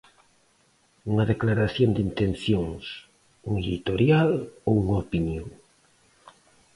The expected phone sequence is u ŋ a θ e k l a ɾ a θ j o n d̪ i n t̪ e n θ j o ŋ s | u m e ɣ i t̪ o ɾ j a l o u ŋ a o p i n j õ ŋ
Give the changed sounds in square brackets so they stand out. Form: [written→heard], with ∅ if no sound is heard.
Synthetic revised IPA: u ŋ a [θ→ð] e k l a ɾ a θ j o n d̪ i n t̪ e n θ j o ŋ s | u [m→ŋ] e [ɣ→ð] i t̪ o ɾ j a l o u ŋ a o p i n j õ ŋ